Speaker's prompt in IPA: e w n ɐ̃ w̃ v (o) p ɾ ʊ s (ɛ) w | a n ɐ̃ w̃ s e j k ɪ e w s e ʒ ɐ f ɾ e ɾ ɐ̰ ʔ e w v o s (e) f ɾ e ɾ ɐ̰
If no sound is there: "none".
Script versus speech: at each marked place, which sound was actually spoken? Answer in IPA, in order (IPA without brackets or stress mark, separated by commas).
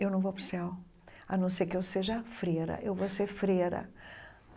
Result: o, ɛ, e